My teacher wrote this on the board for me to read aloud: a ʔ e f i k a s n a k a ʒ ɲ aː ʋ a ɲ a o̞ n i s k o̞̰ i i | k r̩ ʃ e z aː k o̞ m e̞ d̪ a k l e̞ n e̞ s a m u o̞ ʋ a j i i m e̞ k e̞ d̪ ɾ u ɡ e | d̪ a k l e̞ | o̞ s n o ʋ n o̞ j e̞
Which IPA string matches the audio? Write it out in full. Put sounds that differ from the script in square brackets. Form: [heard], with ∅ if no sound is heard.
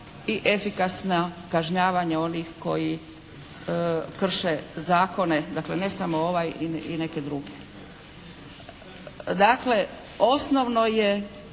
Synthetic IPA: [i] ʔ e f i k a s n a k a ʒ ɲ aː ʋ a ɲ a o̞ n i [x] k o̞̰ [j] i | k r̩ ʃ e z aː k o̞ [n] e̞ d̪ a k l e̞ n e̞ s a m [o] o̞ ʋ a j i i [n] e̞ k e̞ d̪ ɾ u ɡ e | d̪ a k l e̞ | o̞ s n o ʋ n o̞ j e̞